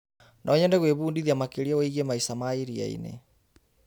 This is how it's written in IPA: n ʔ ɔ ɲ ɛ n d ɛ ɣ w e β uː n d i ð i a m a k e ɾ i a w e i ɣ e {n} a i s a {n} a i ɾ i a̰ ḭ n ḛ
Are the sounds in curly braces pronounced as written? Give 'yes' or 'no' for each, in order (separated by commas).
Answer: no, no